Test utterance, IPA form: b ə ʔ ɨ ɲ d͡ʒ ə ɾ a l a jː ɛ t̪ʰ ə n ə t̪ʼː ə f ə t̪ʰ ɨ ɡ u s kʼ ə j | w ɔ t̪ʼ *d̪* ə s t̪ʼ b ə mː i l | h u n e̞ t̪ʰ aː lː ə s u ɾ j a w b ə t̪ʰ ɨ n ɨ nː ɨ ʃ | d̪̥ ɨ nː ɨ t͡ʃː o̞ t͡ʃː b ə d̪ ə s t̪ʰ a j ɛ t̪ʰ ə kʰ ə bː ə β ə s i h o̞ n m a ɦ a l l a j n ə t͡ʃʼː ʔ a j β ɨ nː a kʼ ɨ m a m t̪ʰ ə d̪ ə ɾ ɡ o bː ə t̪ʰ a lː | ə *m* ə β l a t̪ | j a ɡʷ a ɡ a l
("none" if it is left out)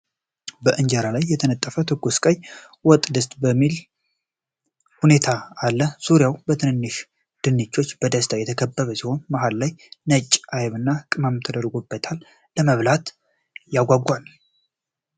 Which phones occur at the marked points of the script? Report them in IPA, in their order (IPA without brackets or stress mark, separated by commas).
d̪, m